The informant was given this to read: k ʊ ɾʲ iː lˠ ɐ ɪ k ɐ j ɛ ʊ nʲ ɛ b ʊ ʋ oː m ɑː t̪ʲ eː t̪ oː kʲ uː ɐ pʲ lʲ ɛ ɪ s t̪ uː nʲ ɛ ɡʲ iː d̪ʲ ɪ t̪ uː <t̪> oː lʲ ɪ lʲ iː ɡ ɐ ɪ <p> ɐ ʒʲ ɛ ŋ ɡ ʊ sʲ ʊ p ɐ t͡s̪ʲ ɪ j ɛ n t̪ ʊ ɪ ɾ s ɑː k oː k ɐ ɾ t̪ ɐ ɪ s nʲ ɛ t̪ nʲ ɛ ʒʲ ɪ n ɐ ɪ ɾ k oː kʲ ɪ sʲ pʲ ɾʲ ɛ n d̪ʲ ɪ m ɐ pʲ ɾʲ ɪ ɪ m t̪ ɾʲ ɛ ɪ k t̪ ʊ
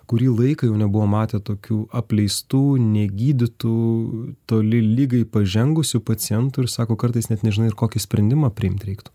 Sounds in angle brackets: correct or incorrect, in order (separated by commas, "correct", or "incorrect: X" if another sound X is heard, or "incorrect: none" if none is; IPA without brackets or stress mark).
correct, correct